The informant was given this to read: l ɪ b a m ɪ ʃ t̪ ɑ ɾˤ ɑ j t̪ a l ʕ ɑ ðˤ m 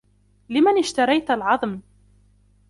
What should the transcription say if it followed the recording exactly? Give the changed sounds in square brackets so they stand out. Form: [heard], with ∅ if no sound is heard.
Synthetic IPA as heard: l ɪ [m] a [n] ɪ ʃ t̪ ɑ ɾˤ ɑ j t̪ a l ʕ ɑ ðˤ m